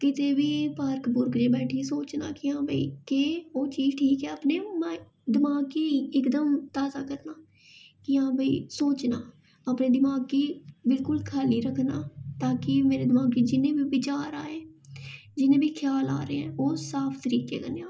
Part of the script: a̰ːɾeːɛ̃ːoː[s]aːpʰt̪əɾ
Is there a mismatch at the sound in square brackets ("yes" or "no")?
no